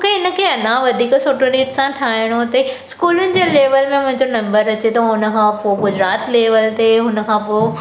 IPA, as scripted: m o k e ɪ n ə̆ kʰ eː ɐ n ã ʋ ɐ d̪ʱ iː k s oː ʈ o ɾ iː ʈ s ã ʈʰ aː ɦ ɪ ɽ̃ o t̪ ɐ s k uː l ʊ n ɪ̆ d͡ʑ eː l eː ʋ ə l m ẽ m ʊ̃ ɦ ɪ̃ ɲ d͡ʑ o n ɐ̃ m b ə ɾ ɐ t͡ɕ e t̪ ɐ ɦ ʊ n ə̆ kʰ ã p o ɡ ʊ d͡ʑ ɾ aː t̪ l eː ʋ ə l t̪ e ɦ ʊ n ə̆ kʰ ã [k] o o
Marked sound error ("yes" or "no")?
yes